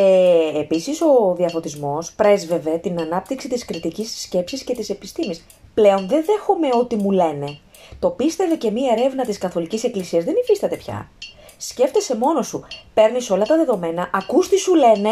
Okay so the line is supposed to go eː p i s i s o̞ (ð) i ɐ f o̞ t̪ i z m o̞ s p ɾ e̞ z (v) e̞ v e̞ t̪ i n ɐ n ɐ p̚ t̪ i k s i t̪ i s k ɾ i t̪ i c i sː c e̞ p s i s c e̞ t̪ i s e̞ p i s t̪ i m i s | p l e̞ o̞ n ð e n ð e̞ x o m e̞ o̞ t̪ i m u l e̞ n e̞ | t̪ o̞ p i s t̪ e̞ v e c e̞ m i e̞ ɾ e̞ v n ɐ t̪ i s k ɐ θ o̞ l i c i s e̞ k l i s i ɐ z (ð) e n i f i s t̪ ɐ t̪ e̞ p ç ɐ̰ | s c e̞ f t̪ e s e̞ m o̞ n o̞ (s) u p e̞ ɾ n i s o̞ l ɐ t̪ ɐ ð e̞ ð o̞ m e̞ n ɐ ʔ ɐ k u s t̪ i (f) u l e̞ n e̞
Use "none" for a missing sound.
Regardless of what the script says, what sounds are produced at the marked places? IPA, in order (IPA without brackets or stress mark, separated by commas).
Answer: ð, v, ð, s, s